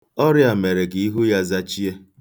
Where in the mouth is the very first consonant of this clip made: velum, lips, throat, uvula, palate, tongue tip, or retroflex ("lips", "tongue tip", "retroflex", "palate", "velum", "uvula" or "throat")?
tongue tip